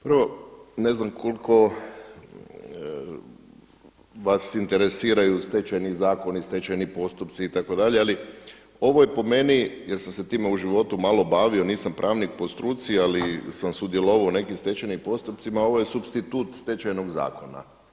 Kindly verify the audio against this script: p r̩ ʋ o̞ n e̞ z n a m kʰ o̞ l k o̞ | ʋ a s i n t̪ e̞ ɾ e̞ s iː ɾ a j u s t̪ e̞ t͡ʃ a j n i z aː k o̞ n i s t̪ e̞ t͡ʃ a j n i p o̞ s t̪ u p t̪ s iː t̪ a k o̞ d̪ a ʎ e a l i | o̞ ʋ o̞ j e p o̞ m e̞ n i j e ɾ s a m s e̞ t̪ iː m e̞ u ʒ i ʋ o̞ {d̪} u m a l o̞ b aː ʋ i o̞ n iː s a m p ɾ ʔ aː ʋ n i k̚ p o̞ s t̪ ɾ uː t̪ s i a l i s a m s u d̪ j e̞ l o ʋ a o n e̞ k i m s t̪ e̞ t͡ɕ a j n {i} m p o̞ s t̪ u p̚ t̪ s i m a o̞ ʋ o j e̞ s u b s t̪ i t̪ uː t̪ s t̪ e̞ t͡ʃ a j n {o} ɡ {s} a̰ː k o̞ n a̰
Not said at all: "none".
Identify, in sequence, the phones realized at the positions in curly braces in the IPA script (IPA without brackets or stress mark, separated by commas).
t̪, i, o, z